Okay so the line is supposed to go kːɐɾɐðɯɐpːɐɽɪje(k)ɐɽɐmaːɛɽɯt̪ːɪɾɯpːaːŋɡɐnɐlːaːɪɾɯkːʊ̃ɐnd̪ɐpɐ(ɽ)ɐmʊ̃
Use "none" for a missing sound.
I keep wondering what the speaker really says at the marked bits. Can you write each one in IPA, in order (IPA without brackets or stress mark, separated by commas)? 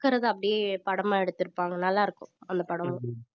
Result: p, ɽ